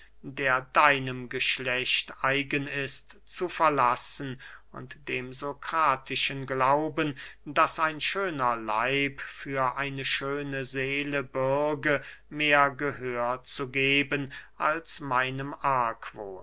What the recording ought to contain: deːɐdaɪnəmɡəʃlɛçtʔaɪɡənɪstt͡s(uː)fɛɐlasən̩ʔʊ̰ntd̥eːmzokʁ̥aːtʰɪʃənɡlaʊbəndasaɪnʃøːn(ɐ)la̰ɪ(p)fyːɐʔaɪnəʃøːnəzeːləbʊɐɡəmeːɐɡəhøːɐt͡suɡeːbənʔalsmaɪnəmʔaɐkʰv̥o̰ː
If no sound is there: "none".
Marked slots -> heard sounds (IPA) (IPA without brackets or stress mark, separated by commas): u, ɐ, p